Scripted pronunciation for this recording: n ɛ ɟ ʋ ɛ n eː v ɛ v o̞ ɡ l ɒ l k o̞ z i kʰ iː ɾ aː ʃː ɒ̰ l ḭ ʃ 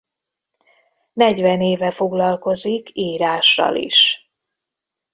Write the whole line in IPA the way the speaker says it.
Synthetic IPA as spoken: n ɛ ɟ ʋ ɛ n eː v ɛ f o̞ ɡ l ɒ l k o̞ z i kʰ iː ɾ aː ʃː ɒ̰ l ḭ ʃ